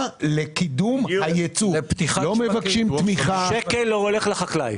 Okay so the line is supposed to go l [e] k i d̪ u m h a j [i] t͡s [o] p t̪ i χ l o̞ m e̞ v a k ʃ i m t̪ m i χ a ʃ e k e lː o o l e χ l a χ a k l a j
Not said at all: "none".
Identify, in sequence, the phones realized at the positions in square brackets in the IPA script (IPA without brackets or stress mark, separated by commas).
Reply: e, e, u